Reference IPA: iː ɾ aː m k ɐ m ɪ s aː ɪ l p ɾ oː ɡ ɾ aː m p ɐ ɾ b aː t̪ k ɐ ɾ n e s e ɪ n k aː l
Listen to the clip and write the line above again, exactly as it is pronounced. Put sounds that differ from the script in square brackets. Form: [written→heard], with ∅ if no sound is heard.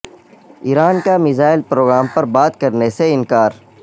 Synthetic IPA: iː ɾ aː [m→n] k [ɐ→a] m ɪ [s→z] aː ɪ l p ɾ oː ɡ ɾ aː m p ɐ ɾ b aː t̪ k ɐ ɾ n e s e ɪ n k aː [l→ɾ]